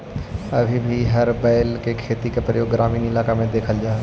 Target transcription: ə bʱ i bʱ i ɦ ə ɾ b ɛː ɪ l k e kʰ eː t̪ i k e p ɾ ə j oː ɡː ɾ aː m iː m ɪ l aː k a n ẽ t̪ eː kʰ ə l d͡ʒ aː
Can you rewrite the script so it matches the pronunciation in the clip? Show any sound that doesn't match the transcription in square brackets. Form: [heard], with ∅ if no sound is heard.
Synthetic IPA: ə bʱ i bʱ i ɦ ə ɾ b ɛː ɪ l k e kʰ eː t̪ i k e p ɾ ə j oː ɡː ɾ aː m iː [n] ɪ l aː k a [m] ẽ [d̪] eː kʰ ə l d͡ʒ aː